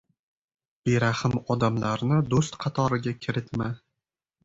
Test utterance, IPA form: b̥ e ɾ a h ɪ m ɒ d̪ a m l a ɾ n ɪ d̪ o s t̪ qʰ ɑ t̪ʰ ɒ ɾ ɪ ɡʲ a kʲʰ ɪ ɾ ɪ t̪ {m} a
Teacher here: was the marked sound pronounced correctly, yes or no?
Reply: yes